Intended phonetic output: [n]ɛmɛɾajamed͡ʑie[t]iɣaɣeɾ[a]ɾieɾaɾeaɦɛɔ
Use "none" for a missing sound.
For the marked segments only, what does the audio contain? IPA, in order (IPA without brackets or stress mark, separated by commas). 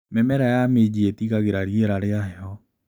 m, t, a